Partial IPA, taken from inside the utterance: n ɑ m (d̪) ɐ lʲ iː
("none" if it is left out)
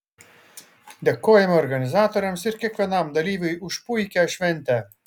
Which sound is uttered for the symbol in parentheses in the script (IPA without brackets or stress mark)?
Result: d̪